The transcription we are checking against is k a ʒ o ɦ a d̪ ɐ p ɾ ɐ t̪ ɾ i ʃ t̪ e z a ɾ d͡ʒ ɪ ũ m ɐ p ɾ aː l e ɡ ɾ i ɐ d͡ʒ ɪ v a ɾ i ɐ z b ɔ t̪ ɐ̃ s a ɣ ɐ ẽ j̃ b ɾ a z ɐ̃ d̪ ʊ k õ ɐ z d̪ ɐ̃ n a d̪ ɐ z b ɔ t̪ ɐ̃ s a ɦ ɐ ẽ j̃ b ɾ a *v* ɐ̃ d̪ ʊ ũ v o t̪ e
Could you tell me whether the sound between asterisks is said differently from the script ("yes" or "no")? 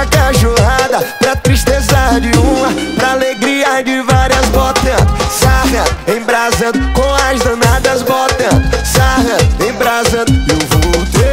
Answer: yes